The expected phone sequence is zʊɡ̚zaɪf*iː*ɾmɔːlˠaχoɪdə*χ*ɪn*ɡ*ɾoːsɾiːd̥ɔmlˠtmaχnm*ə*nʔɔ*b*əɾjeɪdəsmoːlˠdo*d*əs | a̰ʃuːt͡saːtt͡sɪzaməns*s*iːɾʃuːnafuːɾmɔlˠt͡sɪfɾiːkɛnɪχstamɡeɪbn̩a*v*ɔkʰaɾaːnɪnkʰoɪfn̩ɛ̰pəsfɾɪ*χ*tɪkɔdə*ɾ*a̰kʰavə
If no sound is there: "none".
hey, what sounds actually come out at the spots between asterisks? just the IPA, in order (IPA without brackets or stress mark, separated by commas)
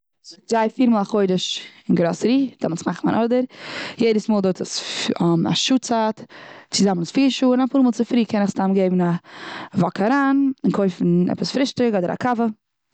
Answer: iː, ʃ, ɡ, a, d, t, f, v, ʃ, ɾ